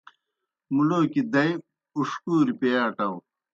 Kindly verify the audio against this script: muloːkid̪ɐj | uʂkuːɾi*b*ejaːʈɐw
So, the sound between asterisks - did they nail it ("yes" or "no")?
no